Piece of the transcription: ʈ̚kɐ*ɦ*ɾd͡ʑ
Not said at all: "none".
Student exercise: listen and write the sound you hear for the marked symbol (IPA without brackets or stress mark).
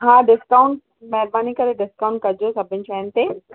none